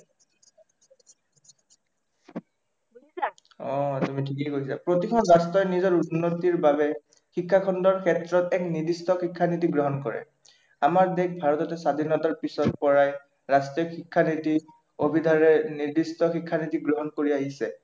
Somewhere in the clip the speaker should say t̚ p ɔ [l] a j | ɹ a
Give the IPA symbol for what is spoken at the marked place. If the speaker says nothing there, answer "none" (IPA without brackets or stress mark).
ɹ